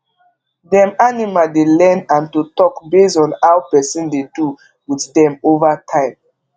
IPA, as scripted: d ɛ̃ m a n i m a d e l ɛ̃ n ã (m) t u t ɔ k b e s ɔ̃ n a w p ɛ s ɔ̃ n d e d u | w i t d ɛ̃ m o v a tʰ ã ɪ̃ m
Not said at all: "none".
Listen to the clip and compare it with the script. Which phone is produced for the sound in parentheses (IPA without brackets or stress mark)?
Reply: n